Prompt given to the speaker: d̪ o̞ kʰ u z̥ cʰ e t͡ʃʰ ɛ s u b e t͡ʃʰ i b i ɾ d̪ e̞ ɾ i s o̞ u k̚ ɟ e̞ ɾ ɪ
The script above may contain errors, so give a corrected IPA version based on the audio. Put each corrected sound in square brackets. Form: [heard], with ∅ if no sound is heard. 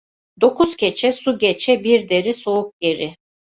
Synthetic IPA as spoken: d̪ o̞ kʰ u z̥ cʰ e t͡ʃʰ ɛ s u [ɟ] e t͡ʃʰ [ɛ] b i ɾ d̪ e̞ ɾ i s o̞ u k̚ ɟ e̞ ɾ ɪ